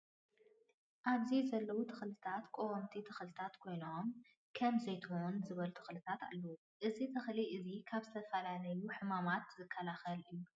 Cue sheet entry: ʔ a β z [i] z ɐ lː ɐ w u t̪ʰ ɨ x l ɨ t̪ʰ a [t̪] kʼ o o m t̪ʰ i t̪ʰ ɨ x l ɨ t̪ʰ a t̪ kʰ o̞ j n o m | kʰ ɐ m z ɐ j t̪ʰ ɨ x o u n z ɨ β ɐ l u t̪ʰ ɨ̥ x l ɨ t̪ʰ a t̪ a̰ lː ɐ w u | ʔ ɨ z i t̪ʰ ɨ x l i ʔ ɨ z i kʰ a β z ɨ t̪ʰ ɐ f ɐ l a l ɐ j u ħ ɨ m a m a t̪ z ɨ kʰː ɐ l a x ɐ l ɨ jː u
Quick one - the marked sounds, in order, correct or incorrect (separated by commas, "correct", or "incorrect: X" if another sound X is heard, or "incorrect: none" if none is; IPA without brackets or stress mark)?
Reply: correct, correct